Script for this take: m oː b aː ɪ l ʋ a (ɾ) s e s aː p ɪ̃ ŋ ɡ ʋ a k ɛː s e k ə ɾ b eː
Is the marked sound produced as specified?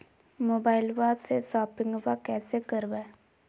no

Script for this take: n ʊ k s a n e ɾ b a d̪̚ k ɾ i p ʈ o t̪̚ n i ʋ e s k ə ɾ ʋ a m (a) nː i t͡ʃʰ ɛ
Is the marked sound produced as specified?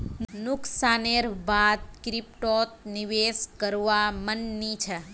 no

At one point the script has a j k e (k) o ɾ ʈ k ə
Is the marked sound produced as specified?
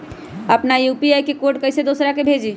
yes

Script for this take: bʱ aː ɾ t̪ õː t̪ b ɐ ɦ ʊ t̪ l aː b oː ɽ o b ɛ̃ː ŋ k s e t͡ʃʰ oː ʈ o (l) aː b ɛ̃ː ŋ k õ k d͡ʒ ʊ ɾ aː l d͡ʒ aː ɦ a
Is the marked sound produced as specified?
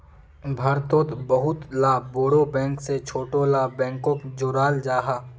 yes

